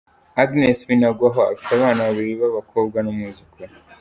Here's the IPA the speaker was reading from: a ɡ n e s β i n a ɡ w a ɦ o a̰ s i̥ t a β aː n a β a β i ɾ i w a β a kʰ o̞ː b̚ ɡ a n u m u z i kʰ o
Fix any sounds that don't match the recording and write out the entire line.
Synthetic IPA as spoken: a ɡ n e s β i n a ɡ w a ɦ o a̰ f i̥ t a β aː n a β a β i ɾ i β a β a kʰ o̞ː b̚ ɡ a n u m u z i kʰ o